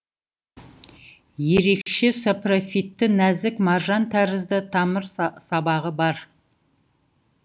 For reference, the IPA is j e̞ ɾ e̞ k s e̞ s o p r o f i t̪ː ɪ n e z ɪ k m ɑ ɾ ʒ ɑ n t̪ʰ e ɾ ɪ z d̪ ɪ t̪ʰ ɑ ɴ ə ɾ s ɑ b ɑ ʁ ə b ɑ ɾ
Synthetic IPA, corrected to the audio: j e̞ ɾ e̞ k ʃ e̞ s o p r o f i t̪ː ɪ n æ z ɪ k m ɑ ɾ ʒ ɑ n t̪ʰ æ ɾ ɪ z d̪ ɪ t̪ʰ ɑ m ə ɾ s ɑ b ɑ ʁ ə b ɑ ɾ